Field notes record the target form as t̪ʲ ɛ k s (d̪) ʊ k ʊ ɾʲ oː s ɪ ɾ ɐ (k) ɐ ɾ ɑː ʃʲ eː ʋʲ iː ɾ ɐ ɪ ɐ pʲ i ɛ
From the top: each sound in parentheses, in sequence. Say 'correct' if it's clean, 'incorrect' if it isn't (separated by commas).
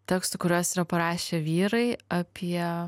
incorrect, incorrect